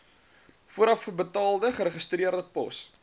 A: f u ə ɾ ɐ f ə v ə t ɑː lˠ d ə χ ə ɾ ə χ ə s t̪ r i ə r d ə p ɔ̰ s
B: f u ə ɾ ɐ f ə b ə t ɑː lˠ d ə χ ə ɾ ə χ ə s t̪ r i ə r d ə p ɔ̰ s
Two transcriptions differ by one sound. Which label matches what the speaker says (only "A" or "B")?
B